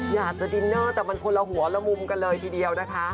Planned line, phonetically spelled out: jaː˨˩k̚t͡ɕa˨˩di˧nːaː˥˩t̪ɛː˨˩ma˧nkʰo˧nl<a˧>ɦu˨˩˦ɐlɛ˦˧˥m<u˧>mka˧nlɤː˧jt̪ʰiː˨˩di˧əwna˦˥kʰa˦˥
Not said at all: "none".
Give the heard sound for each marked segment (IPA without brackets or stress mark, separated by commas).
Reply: a˧, u˧